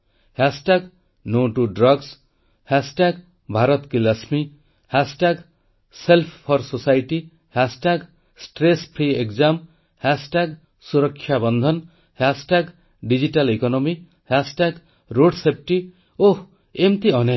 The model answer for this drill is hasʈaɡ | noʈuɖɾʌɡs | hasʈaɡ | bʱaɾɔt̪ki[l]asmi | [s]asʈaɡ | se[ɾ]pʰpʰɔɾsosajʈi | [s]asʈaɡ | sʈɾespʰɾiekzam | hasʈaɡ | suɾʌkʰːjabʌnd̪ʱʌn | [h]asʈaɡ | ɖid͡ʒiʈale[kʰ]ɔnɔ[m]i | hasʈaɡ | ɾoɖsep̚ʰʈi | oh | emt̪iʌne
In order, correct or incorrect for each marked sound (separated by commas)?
correct, incorrect, incorrect, incorrect, correct, incorrect, correct